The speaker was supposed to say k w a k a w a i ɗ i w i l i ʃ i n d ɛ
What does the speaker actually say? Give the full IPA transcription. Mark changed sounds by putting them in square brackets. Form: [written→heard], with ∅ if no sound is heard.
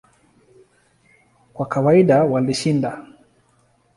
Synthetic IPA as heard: k w a k a w a i ɗ [i→a] w [i→a] l i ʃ i n d [ɛ→a]